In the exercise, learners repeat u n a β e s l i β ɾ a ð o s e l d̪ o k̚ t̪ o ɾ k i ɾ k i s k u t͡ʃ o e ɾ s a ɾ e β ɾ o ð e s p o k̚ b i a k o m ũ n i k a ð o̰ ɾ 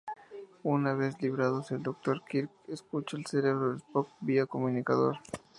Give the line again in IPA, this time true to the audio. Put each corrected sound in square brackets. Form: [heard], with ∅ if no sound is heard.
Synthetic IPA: u n a β e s l i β ɾ a ð o s e l d̪ o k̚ t̪ o ɾ k i ɾ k [e] s k u t͡ʃ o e [l] s [e] ɾ e β ɾ o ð e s p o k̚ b i a k o m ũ n i k a ð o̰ ɾ